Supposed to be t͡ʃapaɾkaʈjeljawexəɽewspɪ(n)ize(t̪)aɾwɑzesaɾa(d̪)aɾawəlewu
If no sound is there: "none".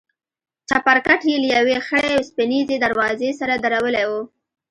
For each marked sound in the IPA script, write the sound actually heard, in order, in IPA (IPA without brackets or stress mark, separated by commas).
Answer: n, d̪, d̪